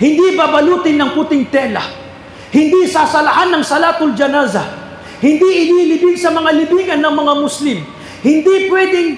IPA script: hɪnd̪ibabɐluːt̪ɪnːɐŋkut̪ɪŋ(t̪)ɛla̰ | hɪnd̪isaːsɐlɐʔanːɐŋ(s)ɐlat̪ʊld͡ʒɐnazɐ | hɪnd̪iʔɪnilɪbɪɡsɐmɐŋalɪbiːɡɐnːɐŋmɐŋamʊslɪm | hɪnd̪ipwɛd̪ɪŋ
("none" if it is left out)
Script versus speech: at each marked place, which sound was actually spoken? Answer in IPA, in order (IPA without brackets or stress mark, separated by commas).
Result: t̪, s